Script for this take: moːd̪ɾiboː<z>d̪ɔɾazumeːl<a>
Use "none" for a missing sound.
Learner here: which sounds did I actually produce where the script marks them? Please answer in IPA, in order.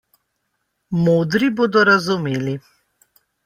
none, i

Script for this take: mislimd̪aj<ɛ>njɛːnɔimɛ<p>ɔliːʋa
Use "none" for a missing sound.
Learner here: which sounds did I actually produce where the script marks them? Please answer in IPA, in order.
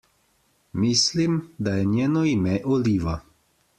ɛ, ʔ

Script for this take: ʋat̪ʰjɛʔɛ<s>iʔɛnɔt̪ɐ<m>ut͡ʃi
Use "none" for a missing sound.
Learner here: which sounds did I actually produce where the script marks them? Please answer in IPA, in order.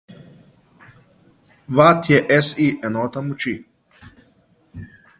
s, m

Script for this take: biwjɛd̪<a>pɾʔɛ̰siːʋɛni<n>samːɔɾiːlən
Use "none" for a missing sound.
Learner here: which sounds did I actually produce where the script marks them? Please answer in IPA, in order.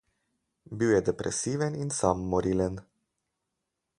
ɛ, n

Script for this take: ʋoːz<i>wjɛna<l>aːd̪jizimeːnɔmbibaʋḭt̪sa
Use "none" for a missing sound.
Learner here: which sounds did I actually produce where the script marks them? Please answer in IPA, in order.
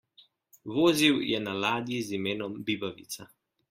i, l

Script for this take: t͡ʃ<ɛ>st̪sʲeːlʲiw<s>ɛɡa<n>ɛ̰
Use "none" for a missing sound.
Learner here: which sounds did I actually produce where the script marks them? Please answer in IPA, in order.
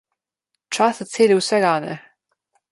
a, s, n

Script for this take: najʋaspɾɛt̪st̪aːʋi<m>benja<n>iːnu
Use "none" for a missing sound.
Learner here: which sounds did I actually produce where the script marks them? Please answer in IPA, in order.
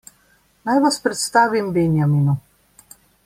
m, m

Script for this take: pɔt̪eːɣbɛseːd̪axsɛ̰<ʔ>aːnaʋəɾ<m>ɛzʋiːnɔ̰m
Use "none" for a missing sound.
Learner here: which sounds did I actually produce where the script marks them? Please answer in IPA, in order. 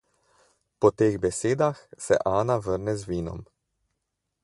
ʔ, n

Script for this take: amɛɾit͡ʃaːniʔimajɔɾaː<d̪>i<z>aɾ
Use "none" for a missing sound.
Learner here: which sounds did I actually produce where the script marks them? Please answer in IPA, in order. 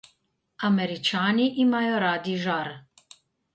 d̪, ʒ

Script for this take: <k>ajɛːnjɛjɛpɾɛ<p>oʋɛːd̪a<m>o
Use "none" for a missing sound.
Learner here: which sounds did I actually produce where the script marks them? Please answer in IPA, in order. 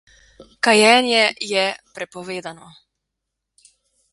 k, p, n

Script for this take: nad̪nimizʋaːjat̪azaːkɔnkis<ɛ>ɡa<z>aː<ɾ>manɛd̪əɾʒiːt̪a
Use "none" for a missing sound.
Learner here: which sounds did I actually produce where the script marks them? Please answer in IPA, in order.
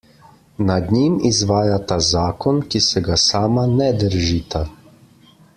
ɛ, s, none

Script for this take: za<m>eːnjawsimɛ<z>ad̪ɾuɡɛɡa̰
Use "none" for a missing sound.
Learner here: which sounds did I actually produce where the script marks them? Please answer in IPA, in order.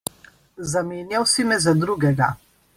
m, z

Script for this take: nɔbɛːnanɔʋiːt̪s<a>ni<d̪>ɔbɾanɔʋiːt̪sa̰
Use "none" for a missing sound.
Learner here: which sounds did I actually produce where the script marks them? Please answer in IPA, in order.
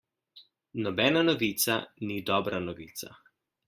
a, d̪

